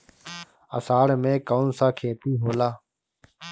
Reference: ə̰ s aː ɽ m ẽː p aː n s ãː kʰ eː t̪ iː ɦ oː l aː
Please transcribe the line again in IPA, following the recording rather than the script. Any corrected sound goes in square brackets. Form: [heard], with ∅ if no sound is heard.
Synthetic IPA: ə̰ s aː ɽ m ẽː [k] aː n s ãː kʰ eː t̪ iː ɦ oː l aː